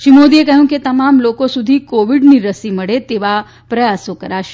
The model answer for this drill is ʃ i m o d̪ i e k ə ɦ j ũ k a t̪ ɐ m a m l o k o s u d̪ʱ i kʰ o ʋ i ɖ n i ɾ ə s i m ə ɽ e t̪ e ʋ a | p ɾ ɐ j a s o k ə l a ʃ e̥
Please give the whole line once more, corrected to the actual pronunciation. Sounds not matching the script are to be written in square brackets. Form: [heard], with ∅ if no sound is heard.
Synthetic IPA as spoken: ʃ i m o d̪ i e k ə ɦ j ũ k [e] t̪ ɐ m a m l o k o s u d̪ʱ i [k] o ʋ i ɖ n i ɾ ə s i m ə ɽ e t̪ e ʋ a | p ɾ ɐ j a s o k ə [ɾ] a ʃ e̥